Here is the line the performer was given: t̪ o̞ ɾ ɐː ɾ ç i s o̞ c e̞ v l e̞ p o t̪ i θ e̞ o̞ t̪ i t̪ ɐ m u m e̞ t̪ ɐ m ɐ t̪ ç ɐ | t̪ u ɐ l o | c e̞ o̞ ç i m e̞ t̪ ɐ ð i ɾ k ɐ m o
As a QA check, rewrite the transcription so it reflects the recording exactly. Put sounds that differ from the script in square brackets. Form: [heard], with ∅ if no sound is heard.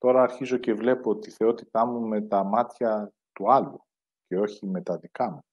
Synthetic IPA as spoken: t̪ o̞ ɾ ɐː ɾ ç i [z] o̞ c e̞ v l e̞ p o t̪ i θ e̞ o̞ t̪ i t̪ ɐ m u m e̞ t̪ ɐ m ɐ t̪ ç ɐ | t̪ u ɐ l [u] | c e̞ o̞ ç i m e̞ t̪ ɐ ð i [∅] k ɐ m [u]